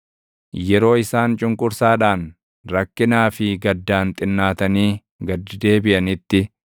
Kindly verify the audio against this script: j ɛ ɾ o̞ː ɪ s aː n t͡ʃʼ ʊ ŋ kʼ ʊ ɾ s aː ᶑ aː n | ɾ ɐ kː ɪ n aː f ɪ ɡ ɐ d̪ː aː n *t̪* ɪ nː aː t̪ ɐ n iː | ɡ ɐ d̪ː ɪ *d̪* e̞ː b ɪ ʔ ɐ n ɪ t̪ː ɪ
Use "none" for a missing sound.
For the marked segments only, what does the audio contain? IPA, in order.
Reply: t̪ʼ, d̪

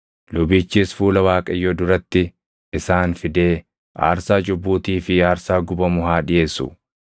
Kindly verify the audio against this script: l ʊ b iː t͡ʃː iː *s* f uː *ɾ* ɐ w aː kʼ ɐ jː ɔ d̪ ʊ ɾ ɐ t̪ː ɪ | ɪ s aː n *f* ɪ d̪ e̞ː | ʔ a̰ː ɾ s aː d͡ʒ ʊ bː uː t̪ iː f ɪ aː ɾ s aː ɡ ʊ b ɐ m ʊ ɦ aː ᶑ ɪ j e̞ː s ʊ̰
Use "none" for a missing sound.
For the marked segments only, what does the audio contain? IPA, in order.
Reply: s, l, f

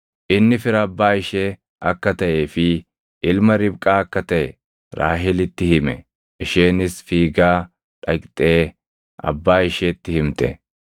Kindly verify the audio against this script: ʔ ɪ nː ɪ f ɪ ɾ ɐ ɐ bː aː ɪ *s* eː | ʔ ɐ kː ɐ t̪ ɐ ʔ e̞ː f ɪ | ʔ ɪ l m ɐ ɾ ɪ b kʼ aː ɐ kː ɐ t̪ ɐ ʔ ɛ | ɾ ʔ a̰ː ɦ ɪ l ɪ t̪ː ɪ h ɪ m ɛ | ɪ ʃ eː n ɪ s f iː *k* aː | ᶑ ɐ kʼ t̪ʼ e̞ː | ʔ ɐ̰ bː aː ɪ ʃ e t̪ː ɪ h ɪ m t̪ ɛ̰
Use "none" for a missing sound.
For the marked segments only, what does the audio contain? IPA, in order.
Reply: ʃ, ɡ

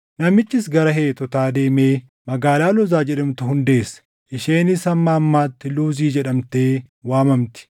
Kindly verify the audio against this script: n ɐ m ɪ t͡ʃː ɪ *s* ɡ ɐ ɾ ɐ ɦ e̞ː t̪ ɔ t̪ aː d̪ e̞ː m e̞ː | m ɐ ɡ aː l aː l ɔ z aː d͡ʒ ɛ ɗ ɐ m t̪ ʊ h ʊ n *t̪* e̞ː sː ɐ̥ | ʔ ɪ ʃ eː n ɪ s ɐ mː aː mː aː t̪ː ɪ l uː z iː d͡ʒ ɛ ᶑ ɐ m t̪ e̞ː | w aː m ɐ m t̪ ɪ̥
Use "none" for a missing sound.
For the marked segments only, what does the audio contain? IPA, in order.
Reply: s, d̪

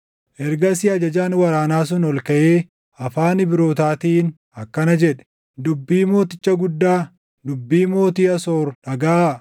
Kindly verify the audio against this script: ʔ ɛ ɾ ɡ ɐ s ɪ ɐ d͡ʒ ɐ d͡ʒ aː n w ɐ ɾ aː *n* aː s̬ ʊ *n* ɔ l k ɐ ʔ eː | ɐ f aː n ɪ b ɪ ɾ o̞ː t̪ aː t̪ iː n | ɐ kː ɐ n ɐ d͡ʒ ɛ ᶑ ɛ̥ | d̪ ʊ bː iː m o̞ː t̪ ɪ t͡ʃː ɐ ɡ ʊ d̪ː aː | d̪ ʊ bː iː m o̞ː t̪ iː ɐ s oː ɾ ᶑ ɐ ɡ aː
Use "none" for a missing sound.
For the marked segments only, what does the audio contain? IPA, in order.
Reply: n, n

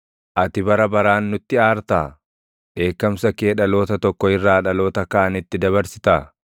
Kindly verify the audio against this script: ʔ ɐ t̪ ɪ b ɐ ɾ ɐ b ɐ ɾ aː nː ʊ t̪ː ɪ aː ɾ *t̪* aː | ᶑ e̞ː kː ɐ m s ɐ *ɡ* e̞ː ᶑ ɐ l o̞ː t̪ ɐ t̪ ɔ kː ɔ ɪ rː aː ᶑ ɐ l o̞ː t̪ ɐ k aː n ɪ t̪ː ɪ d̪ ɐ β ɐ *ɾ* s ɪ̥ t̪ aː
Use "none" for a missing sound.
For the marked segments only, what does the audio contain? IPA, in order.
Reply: t̪, k, ɾ

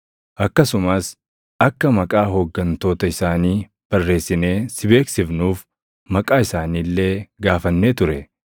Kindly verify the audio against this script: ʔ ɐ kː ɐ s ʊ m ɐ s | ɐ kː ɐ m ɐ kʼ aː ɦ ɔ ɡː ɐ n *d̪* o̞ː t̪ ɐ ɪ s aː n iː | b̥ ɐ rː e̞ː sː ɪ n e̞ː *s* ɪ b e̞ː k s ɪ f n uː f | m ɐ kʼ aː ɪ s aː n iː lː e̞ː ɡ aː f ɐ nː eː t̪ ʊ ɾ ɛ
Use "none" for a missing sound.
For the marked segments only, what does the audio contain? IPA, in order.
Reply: t̪, s

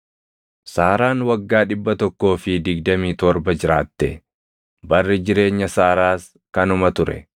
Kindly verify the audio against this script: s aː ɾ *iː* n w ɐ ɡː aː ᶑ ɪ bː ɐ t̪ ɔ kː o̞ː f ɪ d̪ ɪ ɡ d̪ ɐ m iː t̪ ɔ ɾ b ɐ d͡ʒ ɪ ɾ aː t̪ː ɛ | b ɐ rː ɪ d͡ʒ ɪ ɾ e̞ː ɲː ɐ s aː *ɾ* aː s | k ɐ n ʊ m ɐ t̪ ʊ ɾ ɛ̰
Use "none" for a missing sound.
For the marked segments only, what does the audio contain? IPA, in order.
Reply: aː, ɾ

